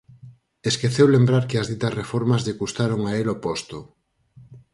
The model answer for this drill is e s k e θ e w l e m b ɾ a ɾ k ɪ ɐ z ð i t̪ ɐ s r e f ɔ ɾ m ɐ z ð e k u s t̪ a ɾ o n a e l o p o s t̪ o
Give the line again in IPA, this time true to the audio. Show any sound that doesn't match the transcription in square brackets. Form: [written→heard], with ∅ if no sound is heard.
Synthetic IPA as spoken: e s k e θ e w l e m b ɾ a ɾ k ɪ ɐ z ð i t̪ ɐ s r e f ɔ ɾ m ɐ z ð e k u s t̪ a ɾ o [n→ŋ] a e l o p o s t̪ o